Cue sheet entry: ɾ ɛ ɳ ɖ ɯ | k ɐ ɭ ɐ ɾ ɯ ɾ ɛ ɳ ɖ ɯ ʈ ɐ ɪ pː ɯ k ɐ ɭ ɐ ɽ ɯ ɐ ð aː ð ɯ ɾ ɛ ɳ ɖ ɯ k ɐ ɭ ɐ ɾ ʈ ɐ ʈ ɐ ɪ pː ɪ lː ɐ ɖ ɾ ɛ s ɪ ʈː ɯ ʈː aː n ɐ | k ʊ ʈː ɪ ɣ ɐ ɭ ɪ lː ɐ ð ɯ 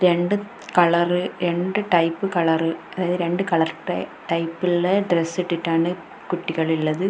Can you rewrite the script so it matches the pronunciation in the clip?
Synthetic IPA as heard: ɾ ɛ ɳ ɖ ɯ | k ɐ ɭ ɐ ɾ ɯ ɾ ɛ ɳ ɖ ɯ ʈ ɐ ɪ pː ɯ k ɐ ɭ ɐ ɾ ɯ ɐ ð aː ð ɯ ɾ ɛ ɳ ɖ ɯ k ɐ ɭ ɐ ɾ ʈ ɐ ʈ ɐ ɪ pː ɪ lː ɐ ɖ ɾ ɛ s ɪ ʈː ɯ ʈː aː n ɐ | k ʊ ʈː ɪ ɣ ɐ ɭ ɪ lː ɐ ð ɯ